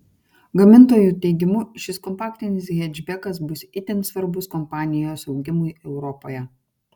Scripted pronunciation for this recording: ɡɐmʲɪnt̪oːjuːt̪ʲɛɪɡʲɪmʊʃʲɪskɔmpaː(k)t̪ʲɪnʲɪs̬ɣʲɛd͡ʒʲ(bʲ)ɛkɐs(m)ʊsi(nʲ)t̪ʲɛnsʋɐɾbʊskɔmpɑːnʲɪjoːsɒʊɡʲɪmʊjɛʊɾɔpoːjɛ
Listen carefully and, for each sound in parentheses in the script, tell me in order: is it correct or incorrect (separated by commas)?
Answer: correct, correct, incorrect, incorrect